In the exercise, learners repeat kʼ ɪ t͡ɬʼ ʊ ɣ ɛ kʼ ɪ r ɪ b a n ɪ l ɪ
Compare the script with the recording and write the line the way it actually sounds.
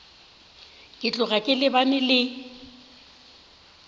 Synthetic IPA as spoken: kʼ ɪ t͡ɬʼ ʊ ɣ a kʼ ɪ l ɪ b a n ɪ l ɪ